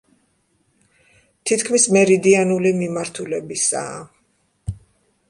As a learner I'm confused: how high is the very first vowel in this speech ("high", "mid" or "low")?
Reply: high